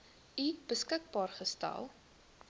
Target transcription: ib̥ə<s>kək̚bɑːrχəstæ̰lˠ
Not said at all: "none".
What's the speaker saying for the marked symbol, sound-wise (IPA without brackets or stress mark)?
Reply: s